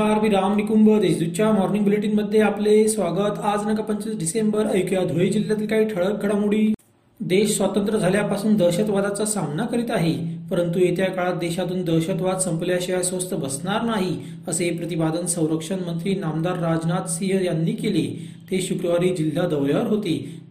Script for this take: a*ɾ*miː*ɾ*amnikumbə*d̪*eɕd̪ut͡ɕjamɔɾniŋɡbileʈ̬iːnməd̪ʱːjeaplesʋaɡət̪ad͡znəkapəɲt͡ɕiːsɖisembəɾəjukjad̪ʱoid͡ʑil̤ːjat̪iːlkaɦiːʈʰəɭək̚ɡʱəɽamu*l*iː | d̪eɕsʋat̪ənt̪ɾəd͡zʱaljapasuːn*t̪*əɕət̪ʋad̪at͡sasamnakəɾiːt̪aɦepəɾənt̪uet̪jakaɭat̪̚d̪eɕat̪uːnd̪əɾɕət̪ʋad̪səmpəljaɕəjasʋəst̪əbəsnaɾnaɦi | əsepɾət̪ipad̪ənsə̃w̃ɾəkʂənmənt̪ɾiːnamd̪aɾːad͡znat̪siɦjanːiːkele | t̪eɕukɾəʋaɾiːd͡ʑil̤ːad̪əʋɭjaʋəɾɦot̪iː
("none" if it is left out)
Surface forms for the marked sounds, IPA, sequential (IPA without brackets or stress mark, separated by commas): ɾ, ɾ, d̪, ɽ, d̪